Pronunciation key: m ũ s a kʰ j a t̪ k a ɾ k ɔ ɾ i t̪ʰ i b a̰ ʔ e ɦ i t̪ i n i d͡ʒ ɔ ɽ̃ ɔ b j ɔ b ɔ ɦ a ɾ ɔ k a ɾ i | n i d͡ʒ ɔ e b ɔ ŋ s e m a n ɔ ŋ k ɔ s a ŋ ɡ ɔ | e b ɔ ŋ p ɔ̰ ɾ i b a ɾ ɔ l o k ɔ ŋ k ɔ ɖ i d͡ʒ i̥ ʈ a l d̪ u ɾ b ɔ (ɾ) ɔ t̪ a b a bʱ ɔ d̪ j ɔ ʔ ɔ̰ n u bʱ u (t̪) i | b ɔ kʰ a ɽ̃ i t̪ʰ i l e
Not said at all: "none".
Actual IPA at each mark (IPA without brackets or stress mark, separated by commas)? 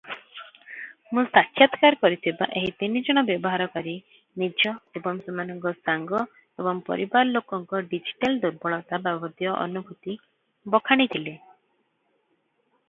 ɭ, t̪